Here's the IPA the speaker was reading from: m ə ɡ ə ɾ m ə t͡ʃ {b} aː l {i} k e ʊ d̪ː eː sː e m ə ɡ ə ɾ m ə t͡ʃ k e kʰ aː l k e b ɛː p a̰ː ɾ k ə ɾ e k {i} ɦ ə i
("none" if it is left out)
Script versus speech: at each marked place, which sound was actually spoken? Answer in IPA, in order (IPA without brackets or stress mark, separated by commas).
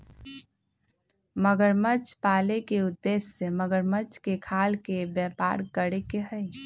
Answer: p, e, e